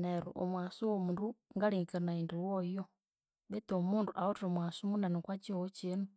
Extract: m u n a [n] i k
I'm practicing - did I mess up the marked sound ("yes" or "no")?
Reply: no